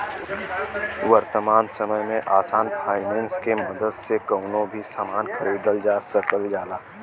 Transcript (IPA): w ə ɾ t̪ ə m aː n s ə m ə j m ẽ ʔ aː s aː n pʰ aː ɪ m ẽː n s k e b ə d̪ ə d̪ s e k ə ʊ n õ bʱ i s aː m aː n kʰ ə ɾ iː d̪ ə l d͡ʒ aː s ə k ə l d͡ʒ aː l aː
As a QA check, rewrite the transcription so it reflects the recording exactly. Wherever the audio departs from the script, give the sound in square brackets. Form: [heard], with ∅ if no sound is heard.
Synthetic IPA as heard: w ə ɾ t̪ ə m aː n s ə m ə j m ẽ ʔ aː s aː n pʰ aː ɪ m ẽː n s k e [m] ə d̪ ə d̪ s e k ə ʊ n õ bʱ i s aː m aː n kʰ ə ɾ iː d̪ ə l d͡ʒ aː s ə k ə l d͡ʒ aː l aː